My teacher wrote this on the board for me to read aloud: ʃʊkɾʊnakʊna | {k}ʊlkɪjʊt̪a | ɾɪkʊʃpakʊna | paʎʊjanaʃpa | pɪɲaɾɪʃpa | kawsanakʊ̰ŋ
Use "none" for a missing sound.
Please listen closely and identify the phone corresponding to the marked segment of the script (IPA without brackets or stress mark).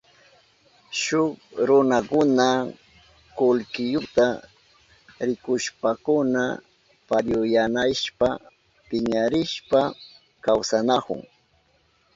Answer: k